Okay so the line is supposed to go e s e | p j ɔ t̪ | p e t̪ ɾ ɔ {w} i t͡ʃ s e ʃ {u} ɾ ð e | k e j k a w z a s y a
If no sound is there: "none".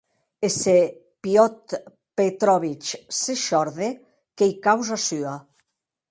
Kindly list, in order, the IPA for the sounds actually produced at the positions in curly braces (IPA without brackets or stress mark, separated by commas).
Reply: β, ɔ